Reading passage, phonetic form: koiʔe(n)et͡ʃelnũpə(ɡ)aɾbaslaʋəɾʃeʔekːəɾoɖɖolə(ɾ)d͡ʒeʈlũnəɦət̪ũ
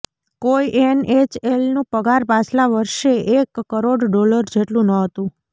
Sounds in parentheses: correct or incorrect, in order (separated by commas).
correct, correct, correct